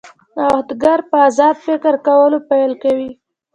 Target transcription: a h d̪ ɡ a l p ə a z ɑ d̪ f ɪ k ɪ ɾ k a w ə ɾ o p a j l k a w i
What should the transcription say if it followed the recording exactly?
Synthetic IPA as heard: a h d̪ ɡ a ɾ p ə a z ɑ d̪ f ɪ k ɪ ɾ k a w ə l o p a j l k a w i